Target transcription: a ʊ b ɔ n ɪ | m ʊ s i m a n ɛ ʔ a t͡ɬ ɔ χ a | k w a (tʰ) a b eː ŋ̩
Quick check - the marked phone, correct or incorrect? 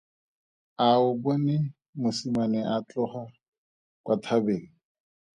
correct